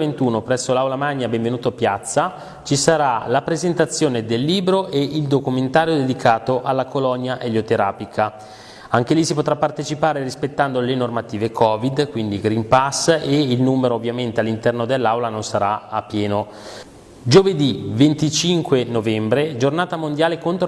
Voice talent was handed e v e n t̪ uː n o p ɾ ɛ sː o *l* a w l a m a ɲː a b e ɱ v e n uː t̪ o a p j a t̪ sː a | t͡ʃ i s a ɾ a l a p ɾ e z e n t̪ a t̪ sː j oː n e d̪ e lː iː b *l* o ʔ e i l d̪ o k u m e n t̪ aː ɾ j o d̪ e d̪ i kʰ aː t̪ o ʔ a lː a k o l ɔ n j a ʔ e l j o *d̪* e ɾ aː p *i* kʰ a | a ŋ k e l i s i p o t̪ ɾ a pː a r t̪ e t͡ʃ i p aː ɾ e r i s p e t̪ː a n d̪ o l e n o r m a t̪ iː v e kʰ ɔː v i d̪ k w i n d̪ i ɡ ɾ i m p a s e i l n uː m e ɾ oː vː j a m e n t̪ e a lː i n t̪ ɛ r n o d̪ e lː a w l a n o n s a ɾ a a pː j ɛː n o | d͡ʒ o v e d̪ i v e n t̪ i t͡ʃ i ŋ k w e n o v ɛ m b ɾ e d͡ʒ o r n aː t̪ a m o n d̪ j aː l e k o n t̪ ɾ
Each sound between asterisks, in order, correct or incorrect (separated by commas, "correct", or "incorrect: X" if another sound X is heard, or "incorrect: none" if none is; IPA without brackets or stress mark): correct, incorrect: ɾ, incorrect: t̪, correct